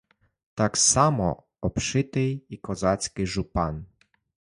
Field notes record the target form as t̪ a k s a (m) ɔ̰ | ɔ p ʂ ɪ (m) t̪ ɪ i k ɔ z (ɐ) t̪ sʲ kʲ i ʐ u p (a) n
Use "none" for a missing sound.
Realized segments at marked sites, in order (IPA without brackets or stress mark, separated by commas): m, none, a, a